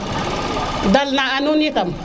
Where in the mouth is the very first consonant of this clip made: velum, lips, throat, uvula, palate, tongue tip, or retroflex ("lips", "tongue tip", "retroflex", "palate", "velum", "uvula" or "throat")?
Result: tongue tip